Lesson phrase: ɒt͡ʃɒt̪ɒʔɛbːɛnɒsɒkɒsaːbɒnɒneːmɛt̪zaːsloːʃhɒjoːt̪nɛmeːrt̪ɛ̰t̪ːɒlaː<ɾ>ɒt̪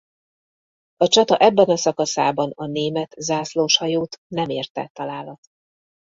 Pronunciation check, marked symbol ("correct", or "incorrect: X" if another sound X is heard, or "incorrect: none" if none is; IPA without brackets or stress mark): incorrect: l